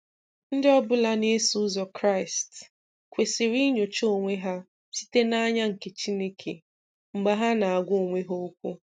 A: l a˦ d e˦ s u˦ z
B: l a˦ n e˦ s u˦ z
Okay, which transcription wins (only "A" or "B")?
B